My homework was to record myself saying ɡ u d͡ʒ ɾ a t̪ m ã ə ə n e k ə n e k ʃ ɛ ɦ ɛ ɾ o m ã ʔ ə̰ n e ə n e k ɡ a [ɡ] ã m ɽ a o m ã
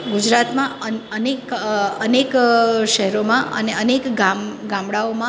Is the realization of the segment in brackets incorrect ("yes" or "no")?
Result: no